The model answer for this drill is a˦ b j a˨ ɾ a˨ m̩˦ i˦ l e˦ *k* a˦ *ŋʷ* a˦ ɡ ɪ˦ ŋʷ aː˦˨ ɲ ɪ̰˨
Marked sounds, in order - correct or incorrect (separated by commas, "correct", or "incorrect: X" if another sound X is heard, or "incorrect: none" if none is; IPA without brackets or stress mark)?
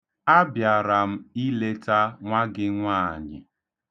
incorrect: t, correct